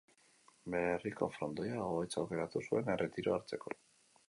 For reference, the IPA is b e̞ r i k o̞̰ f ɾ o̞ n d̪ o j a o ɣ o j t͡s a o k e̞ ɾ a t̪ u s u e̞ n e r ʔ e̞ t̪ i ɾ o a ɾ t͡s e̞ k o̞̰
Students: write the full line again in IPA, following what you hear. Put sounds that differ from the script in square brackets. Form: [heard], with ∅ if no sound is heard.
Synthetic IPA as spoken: b e̞ r i k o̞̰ f ɾ o̞ n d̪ o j a o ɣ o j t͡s a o k e̞ ɾ a t̪ u s u e̞ n e r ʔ e̞ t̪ i ɾ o a ɾ t͡s e̞ k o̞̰